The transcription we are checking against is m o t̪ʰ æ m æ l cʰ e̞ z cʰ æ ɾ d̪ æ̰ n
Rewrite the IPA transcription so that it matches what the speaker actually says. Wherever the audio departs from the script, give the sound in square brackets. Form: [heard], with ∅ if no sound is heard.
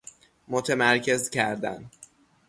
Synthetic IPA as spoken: m o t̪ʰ [e] m æ [ɾ] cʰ e̞ z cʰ æ ɾ d̪ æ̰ n